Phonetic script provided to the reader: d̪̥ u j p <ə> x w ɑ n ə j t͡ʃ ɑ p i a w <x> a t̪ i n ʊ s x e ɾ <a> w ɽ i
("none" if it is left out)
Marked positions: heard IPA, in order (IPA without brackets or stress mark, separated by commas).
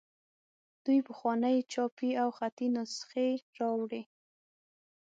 ə, x, ɑ